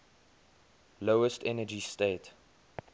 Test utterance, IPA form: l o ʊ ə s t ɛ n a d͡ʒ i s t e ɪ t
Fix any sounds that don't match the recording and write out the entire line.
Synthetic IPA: l o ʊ ə s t ɛ n ə d͡ʒ i s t e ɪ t